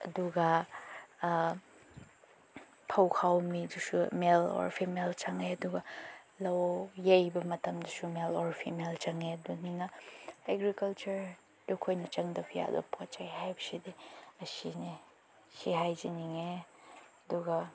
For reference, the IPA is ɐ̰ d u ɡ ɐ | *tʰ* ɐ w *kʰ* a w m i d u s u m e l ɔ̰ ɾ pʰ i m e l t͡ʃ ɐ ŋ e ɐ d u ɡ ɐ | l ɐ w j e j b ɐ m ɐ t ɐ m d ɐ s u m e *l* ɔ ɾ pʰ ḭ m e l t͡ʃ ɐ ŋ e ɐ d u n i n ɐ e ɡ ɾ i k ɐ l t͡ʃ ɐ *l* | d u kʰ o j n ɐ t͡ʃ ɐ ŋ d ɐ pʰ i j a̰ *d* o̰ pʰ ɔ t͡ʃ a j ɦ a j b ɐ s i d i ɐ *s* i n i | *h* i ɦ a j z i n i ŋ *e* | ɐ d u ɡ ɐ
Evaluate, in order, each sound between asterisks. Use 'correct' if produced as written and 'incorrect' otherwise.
incorrect: pʰ, correct, correct, incorrect: ɾ, correct, correct, incorrect: s, correct

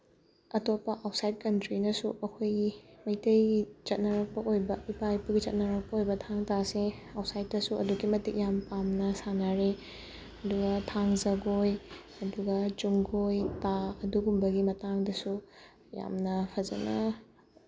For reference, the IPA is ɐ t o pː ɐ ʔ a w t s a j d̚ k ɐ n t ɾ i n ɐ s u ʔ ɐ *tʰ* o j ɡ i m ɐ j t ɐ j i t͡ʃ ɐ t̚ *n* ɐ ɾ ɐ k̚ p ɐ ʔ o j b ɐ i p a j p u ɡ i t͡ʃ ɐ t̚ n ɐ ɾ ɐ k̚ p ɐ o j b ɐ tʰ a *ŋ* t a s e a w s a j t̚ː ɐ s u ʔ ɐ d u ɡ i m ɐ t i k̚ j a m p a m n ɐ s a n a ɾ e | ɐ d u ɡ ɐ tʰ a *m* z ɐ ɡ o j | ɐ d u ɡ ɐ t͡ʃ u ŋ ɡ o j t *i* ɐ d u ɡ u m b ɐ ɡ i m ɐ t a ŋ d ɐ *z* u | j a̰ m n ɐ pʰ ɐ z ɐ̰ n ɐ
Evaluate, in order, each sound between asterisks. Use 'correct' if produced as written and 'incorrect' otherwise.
incorrect: kʰ, correct, correct, incorrect: ŋ, incorrect: a, incorrect: s

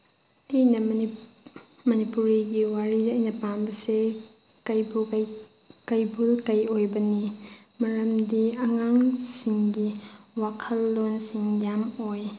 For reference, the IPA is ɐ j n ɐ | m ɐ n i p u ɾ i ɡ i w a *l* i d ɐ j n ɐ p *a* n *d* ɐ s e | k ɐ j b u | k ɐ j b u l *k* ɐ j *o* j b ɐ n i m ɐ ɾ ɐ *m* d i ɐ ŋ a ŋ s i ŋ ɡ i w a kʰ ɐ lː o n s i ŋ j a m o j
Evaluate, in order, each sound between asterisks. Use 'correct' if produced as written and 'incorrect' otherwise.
incorrect: ɾ, correct, incorrect: b, correct, correct, correct

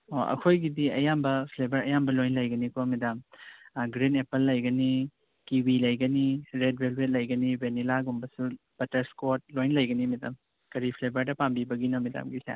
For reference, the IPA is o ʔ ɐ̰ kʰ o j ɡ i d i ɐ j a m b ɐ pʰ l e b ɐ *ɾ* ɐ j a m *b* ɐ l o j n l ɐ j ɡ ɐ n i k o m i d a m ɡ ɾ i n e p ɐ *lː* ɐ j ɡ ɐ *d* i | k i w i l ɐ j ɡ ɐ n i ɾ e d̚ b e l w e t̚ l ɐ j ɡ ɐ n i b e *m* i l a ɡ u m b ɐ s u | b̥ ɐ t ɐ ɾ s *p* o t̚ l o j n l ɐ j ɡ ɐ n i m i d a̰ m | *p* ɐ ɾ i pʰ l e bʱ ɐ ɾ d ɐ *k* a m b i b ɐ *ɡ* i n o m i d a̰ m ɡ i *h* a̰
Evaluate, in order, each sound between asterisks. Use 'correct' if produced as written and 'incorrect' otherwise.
correct, correct, correct, incorrect: n, incorrect: n, incorrect: k, incorrect: k, incorrect: p, correct, incorrect: s

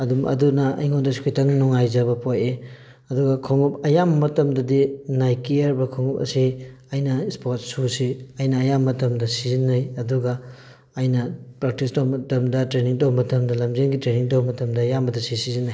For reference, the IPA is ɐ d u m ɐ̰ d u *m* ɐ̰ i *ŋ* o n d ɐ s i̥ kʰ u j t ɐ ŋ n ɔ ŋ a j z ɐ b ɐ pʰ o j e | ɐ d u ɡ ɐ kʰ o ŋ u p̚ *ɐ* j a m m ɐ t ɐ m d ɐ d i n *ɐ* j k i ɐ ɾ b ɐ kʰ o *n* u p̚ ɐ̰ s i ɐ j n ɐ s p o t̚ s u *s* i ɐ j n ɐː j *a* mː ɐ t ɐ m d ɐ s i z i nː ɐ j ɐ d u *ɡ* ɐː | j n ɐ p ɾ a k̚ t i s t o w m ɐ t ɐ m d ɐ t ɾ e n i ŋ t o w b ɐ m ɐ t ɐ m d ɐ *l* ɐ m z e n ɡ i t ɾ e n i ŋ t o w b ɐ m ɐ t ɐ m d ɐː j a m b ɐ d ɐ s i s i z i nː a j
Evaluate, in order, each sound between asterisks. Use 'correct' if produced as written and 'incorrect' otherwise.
incorrect: n, correct, correct, incorrect: a, incorrect: ŋ, correct, correct, correct, correct

